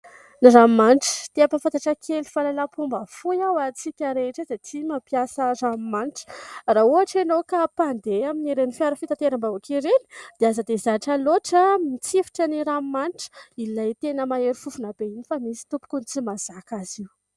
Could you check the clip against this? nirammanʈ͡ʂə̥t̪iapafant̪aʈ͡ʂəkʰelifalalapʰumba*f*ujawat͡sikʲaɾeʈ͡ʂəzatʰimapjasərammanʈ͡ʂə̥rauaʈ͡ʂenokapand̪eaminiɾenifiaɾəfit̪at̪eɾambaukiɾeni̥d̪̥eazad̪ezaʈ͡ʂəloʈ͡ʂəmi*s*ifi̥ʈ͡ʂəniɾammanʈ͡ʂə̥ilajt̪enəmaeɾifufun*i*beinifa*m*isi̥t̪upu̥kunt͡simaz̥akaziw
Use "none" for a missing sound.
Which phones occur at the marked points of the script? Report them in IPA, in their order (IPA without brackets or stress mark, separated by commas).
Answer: f, t͡s, a, m